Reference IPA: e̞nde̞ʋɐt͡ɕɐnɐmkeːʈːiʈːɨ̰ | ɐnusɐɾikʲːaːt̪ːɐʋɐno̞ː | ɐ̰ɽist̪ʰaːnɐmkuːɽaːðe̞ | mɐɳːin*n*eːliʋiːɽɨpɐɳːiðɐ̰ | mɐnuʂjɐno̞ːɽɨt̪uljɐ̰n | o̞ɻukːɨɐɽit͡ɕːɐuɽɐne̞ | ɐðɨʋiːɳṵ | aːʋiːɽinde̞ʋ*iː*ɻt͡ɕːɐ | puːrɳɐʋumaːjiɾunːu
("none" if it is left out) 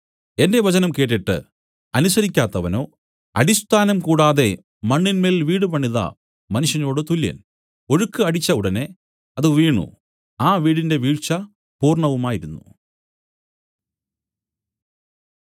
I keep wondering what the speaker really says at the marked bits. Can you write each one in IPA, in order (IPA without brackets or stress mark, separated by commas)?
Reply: m, iː